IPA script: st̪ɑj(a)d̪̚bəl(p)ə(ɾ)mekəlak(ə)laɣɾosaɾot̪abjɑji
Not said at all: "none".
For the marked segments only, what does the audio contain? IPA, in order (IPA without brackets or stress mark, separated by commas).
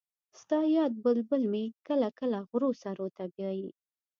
ɑ, b, l, ə